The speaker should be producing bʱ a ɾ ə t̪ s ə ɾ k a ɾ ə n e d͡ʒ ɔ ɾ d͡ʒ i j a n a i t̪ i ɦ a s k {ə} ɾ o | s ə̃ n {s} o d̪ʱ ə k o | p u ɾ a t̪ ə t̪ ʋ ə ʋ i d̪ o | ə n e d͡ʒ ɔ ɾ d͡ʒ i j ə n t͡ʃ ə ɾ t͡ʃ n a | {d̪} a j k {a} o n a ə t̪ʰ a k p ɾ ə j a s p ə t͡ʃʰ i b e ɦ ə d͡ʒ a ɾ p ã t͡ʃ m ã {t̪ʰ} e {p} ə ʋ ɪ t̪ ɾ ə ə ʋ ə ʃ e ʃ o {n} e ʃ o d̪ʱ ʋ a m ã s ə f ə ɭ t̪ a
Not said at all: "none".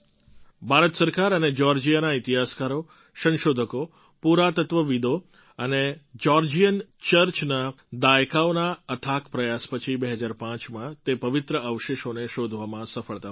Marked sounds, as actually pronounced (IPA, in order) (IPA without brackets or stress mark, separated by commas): a, ʃ, d̪, a, t̪, p, n